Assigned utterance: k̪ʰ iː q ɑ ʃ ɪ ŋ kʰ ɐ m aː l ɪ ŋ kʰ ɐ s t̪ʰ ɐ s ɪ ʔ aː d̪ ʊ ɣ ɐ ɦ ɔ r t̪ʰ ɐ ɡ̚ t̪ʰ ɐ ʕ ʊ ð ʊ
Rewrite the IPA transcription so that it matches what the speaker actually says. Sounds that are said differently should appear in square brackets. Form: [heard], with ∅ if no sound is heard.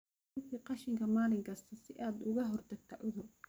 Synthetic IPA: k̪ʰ iː q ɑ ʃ ɪ ŋ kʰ ɐ m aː l ɪ ŋ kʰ ɐ s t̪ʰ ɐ s ɪ ʔ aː d̪ ʊ ɣ ɐ ɦ ɔ r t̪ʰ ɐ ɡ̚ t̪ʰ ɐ ʕ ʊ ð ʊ